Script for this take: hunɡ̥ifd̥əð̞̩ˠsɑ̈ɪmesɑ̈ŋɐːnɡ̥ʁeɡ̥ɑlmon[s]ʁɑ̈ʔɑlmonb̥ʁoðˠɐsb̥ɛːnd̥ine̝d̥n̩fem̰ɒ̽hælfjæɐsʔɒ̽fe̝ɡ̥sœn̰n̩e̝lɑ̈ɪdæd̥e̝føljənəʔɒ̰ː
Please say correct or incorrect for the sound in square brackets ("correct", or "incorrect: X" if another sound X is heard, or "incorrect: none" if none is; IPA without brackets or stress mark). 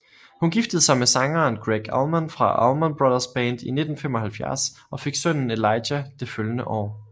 incorrect: f